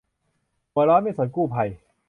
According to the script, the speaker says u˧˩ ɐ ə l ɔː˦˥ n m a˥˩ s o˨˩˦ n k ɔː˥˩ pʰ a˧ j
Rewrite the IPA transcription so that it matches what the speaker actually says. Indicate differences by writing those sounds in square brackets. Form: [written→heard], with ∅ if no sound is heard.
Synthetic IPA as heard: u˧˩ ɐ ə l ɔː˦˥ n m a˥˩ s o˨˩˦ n k [ɔː˥˩→uː˥˩] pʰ a˧ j